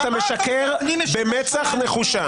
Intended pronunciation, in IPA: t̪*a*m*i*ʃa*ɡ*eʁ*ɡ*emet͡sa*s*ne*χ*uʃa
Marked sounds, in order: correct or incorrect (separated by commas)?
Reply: correct, incorrect, incorrect, incorrect, incorrect, correct